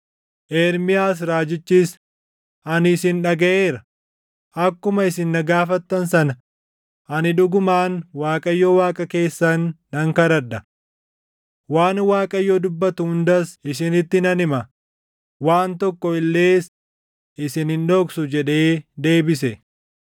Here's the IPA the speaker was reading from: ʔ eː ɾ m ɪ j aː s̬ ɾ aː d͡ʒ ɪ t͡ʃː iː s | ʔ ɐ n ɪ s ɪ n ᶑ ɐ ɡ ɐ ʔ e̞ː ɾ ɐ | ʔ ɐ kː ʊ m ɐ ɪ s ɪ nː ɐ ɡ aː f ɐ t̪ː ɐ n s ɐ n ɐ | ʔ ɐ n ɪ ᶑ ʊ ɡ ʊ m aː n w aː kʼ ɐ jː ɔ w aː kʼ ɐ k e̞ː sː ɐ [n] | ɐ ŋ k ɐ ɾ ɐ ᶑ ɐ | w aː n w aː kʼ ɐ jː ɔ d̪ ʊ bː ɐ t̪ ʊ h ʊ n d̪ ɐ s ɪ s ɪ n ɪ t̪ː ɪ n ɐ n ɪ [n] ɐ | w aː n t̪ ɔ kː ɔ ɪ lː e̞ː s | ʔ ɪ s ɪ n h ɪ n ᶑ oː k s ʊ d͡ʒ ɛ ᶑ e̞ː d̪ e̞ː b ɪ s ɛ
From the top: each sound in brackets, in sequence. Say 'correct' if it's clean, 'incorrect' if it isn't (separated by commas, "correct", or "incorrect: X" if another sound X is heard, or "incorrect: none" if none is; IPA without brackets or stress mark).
incorrect: nː, incorrect: m